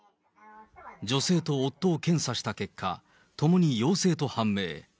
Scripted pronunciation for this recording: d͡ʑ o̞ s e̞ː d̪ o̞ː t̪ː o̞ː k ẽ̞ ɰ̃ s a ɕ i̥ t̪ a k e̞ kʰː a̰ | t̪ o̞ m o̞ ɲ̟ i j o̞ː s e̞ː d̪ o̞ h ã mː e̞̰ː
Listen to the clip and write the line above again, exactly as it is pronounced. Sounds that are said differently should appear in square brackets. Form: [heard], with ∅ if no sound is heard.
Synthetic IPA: d͡ʑ o̞ s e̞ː [t̪] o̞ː t̪ː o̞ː k ẽ̞ ɰ̃ s a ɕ i̥ t̪ a k e̞ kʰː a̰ | t̪ o̞ m o̞ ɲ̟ i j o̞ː s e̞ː [t̪] o̞ h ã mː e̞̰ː